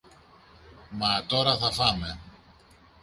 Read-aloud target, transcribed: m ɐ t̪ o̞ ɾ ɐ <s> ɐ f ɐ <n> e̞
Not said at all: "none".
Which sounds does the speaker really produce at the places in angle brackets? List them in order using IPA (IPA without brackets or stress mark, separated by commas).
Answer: θ, m